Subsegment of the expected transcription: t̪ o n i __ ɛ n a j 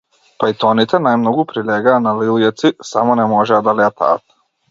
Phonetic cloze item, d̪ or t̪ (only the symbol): t̪